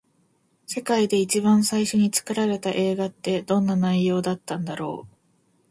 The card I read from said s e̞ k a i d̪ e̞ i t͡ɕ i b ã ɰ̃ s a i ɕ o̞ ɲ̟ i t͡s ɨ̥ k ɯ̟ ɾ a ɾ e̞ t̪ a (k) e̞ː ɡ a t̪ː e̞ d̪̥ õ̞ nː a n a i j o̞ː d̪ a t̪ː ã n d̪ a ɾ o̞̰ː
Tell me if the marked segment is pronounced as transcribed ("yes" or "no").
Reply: no